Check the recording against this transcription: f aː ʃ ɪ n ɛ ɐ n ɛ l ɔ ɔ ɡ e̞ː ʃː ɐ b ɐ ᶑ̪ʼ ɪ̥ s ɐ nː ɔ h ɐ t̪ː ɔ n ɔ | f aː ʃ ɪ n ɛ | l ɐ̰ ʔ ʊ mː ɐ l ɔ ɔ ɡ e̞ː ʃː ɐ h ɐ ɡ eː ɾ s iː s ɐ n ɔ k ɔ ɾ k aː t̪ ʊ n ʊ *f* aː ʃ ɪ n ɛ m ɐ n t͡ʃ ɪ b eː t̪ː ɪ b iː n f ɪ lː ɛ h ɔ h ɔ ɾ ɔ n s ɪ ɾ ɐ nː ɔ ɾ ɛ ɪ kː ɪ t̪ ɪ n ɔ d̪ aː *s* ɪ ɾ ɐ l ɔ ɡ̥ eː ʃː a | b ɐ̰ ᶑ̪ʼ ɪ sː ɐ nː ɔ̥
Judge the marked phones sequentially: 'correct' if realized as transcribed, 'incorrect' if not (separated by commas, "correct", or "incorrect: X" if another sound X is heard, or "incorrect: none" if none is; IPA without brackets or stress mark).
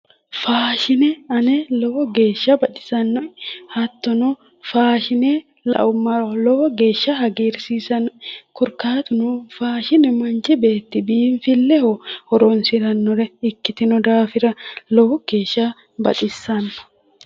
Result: correct, incorrect: f